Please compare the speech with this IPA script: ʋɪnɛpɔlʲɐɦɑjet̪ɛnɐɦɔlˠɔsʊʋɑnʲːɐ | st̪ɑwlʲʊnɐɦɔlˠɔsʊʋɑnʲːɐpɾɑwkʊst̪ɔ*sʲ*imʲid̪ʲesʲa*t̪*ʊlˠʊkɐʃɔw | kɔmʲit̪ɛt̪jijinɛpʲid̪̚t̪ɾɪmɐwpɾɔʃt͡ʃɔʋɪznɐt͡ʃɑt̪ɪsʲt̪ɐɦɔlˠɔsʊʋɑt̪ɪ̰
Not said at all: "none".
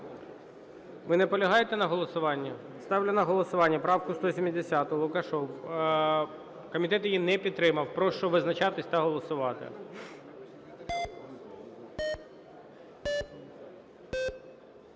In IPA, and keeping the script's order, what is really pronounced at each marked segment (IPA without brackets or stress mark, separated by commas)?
sʲ, t̪